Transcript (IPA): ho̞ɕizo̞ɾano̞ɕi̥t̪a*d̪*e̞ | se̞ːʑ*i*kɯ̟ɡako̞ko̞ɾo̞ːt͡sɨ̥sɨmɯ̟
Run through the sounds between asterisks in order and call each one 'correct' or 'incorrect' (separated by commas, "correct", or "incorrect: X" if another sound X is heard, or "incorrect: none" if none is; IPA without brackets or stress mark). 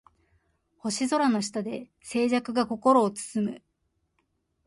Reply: correct, incorrect: a